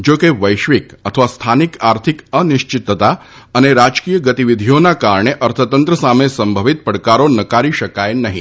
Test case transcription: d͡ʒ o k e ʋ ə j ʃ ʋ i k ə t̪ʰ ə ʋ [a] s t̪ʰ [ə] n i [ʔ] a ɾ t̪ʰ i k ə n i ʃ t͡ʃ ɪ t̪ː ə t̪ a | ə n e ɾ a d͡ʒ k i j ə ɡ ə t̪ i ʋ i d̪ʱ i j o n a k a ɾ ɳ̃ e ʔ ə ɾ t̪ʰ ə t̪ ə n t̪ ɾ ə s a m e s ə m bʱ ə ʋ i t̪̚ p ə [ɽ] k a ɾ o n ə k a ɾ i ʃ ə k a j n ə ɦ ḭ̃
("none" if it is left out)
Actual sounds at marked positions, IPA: a, a, k, ɽ

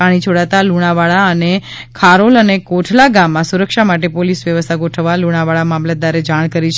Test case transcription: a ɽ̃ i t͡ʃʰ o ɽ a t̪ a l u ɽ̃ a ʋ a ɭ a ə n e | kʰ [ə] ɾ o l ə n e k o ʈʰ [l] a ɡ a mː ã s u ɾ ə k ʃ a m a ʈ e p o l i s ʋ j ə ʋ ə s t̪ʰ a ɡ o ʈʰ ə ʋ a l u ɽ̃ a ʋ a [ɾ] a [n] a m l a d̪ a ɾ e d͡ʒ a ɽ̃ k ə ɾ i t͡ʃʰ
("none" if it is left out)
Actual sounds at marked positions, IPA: a, l, ɭ, m

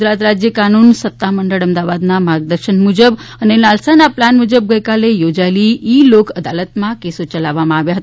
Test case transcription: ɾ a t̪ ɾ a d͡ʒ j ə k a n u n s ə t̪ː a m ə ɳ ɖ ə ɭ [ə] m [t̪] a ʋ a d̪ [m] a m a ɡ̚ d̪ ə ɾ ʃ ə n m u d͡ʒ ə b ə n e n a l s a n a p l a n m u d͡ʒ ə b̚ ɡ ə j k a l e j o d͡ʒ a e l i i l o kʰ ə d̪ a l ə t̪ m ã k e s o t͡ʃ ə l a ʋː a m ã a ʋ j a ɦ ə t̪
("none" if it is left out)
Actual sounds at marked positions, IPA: ə, d̪, n

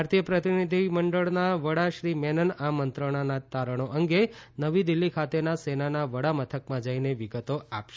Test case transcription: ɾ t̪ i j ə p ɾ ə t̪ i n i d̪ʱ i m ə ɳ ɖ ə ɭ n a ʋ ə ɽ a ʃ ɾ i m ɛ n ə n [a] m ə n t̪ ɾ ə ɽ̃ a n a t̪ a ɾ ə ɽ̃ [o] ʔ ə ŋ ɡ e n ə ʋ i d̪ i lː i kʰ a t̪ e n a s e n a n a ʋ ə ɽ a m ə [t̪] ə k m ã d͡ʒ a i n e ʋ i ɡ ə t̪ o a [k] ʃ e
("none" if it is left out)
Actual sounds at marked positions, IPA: a, o, t̪ʰ, p

